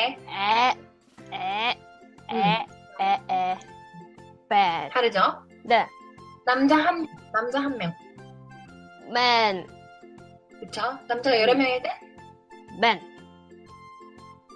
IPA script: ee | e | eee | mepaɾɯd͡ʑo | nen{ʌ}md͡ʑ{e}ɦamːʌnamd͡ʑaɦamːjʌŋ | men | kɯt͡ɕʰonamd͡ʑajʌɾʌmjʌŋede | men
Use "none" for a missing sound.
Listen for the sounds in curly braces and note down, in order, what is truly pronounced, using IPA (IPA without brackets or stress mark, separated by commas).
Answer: a, a